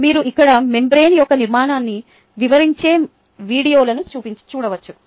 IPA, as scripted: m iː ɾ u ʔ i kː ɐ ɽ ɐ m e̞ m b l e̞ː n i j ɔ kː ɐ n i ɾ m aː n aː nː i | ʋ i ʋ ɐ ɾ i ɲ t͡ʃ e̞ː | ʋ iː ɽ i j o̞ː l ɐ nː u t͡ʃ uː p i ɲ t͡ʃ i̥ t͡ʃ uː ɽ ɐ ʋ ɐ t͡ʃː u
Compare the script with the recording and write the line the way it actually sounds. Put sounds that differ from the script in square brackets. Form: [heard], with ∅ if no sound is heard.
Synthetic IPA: m iː ɾ u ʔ i kː ɐ ɽ ɐ m e̞ m b [ɾ] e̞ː n i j ɔ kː ɐ n i ɾ m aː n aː nː i | ʋ i ʋ ɐ ɾ i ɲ t͡ʃ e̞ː | ʋ iː ɽ i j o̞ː l ɐ [n] u t͡ʃ uː p i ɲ t͡ʃ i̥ t͡ʃ uː ɽ ɐ ʋ ɐ t͡ʃː u